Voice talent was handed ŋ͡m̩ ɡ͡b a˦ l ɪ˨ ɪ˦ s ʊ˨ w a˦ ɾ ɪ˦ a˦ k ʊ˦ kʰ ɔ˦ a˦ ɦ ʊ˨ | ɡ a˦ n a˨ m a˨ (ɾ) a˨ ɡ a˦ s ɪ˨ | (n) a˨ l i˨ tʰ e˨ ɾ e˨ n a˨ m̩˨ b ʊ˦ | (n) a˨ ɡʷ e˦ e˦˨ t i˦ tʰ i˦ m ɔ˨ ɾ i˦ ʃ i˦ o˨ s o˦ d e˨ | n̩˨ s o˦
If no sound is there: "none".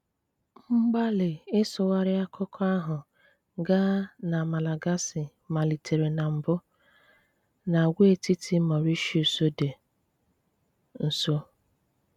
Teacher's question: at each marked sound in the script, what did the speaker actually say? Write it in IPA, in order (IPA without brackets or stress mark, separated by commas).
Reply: l, m, n